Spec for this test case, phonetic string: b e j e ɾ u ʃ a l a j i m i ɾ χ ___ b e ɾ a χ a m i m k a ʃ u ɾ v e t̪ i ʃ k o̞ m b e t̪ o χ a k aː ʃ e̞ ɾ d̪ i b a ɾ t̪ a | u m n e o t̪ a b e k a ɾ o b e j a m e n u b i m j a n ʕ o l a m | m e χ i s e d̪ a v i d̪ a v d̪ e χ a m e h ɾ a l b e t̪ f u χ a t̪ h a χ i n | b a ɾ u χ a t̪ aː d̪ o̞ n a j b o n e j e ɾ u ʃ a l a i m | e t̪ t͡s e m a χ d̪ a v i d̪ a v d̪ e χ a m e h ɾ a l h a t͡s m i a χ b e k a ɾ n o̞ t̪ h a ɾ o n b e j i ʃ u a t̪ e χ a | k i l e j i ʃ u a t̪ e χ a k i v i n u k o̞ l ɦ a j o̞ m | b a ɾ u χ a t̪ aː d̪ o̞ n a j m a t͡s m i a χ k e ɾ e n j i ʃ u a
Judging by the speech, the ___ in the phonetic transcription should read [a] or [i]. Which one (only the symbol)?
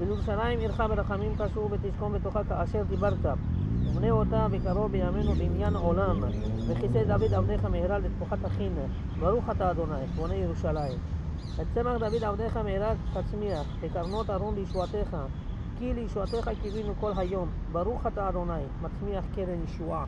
a